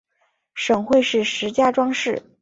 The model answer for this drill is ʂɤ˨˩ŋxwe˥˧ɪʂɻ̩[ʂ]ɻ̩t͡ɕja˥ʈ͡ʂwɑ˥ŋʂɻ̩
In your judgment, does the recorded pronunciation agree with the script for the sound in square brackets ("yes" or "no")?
yes